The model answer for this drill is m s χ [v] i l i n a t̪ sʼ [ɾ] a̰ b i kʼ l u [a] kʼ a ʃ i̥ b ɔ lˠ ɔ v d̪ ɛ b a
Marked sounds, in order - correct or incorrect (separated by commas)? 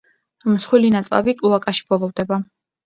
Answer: incorrect, incorrect, correct